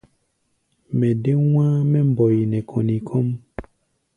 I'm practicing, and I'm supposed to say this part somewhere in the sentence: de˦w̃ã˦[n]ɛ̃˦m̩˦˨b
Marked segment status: incorrect: m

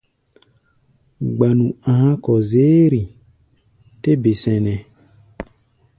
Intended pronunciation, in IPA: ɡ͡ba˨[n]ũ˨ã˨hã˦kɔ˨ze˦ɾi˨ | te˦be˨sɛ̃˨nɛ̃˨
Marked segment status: correct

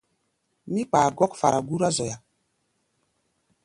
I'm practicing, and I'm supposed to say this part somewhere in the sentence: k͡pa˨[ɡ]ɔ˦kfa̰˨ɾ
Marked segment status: correct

